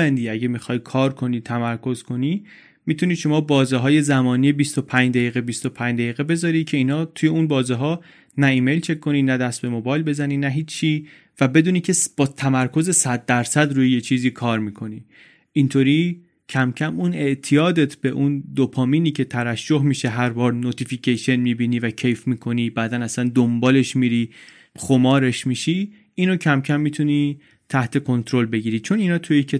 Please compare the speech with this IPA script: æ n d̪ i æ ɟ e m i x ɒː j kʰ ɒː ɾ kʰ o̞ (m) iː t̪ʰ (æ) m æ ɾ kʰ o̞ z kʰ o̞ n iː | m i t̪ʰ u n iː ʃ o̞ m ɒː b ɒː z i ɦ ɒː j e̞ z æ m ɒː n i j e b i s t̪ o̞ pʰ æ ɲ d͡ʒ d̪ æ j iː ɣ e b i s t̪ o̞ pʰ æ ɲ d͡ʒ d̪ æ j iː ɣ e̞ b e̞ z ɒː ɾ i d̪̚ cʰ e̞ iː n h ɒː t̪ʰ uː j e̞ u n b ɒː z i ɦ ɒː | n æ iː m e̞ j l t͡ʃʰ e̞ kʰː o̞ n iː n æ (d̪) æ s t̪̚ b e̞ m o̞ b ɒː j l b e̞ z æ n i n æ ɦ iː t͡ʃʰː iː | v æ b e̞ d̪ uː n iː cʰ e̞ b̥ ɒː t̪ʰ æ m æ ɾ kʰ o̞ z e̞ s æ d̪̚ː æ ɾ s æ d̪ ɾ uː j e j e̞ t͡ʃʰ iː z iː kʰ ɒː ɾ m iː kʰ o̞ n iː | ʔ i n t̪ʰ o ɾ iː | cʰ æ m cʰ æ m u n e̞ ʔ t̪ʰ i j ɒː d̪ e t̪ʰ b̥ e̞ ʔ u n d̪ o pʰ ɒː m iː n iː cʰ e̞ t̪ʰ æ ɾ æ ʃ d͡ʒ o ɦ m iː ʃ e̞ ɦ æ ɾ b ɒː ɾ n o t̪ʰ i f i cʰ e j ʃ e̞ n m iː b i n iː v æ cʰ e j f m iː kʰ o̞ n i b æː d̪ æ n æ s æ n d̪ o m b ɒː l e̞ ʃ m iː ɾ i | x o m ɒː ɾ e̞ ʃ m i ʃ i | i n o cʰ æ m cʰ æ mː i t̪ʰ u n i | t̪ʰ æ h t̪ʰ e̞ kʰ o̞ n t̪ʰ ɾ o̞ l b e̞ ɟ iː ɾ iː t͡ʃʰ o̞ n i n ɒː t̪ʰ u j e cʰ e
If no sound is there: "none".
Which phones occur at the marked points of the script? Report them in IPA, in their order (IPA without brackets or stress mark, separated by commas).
n, æ, d̪